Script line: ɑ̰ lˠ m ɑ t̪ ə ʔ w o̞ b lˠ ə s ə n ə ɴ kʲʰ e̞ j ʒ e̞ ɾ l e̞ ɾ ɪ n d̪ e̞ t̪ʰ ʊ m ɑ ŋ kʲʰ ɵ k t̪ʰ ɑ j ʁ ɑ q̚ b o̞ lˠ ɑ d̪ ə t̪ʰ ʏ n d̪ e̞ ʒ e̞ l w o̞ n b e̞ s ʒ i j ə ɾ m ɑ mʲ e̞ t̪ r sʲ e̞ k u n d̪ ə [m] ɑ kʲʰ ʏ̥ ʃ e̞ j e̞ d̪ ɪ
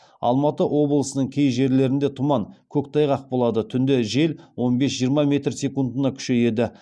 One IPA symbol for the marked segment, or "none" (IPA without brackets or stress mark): n